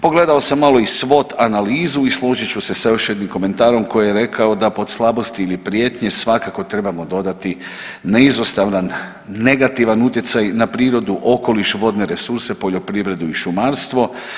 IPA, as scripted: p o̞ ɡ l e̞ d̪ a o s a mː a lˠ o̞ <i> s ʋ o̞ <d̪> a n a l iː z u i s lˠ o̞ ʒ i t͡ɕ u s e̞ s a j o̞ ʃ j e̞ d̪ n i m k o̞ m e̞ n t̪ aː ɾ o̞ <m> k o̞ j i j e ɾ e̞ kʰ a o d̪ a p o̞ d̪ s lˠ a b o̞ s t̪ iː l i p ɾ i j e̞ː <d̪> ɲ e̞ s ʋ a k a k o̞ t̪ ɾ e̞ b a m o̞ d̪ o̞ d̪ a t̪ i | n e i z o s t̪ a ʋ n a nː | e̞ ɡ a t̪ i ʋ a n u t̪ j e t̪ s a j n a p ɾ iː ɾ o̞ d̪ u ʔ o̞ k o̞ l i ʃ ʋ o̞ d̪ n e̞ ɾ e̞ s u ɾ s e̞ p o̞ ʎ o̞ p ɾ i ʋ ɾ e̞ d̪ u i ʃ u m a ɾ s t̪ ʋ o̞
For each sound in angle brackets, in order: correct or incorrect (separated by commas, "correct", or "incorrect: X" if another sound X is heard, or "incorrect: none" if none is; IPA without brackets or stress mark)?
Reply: correct, incorrect: t̪, correct, incorrect: t̪